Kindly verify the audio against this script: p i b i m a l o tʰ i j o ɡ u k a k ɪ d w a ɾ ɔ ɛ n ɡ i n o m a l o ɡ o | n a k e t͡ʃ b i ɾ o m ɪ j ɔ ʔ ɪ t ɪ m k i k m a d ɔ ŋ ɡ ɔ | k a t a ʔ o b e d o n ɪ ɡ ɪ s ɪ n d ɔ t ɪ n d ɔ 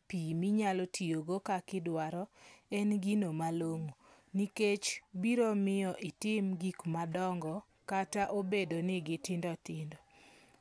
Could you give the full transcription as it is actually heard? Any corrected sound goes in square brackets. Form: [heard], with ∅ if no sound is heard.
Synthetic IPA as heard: p i [m] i [ɲ] a l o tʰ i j o ɡ [o] k a k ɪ d w a ɾ ɔ ɛ n ɡ i n o m a l o [ŋ] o | n [i] k e t͡ʃ b i ɾ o m ɪ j ɔ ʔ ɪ t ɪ m [ɡ] i k m a d ɔ ŋ ɡ ɔ | k a t a ʔ o b e d o n ɪ ɡ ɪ [t] ɪ n d ɔ t ɪ n d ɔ

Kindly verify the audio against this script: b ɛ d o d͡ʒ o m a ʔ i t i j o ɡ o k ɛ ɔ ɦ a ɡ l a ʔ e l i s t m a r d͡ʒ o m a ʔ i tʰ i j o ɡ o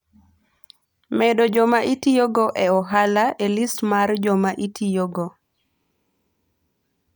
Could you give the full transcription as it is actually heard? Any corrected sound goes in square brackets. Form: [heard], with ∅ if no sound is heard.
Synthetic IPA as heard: [m] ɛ d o d͡ʒ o m a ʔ i t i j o ɡ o [ʔ] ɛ ɔ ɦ a [∅] l a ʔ e l i s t m a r d͡ʒ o m a ʔ i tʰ i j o ɡ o

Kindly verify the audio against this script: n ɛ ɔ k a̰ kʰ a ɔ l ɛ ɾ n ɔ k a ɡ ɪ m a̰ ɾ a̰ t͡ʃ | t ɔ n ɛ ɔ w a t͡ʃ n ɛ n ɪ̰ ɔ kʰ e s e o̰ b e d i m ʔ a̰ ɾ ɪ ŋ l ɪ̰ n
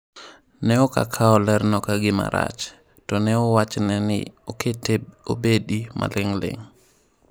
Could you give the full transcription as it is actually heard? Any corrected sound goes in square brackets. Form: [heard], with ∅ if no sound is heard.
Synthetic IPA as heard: n ɛ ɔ k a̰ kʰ a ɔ l ɛ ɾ n ɔ k a ɡ ɪ m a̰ ɾ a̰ t͡ʃ | t ɔ n ɛ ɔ w a t͡ʃ n ɛ n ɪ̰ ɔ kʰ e [t] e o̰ b e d i m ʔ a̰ [l] ɪ ŋ l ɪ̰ [ŋ]

